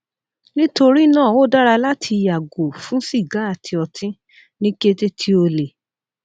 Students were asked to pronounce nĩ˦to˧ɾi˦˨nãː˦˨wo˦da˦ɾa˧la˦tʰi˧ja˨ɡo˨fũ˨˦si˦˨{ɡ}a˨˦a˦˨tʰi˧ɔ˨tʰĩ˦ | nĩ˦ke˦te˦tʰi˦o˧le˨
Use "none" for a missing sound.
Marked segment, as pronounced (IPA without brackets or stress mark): ɡ